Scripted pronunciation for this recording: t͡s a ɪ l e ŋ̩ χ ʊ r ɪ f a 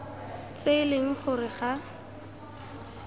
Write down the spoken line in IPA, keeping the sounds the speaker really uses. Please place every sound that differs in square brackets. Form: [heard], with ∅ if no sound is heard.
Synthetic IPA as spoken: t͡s [e] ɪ l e ŋ̩ χ ʊ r ɪ [χ] a